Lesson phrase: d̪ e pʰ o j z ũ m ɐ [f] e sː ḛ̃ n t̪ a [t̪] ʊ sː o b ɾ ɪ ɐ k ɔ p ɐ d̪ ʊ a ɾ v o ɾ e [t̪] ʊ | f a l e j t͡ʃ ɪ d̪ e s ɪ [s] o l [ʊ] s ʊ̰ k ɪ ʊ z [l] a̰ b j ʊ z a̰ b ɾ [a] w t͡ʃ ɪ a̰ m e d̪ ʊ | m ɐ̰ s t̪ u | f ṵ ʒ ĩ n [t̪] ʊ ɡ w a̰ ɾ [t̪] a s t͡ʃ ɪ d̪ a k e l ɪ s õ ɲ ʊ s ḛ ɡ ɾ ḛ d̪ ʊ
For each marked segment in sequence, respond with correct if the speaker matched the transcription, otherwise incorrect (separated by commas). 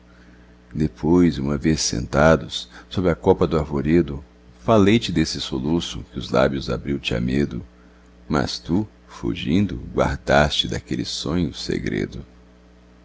incorrect, incorrect, incorrect, correct, incorrect, correct, incorrect, incorrect, incorrect